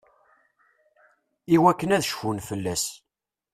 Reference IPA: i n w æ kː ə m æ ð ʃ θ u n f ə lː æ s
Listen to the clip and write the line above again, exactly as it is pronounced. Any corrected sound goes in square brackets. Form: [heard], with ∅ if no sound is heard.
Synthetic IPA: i [∅] w æ kː ə [n] æ ð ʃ [f] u n f ə lː æ s